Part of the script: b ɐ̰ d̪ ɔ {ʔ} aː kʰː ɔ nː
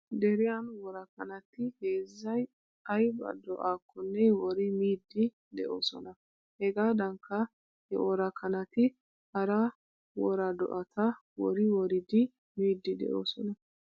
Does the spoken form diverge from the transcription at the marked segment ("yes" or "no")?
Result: no